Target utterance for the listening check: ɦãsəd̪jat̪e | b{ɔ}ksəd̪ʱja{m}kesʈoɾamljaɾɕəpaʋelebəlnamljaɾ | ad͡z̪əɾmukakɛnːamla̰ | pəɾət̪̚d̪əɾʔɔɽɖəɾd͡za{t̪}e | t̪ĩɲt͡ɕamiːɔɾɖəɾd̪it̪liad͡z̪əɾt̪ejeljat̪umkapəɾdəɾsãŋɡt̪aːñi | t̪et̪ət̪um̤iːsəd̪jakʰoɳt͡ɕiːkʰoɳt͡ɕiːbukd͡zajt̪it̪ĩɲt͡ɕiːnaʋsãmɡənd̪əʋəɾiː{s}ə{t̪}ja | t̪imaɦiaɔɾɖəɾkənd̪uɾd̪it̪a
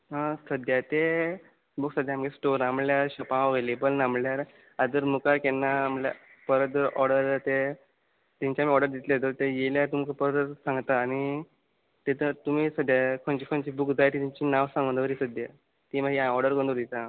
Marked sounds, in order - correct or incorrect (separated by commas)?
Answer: incorrect, correct, correct, correct, incorrect